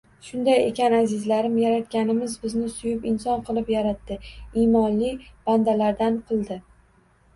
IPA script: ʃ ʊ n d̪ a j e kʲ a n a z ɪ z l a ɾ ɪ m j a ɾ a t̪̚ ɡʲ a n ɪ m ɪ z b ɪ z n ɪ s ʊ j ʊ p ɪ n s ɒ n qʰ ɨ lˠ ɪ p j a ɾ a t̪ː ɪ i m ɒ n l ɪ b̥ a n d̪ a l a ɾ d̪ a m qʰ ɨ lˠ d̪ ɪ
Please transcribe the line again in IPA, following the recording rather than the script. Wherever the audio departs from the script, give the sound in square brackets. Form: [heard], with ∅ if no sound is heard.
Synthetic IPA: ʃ ʊ n d̪ a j e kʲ a n a z ɪ z l a ɾ ɪ m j a ɾ a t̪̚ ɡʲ a n ɪ m ɪ z b ɪ z n ɪ s ʊ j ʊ p ɪ n s ɒ n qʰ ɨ lˠ ɪ p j a ɾ a t̪ː ɪ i m ɒ n l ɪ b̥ a n d̪ a l a ɾ d̪ a [n] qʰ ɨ lˠ d̪ ɪ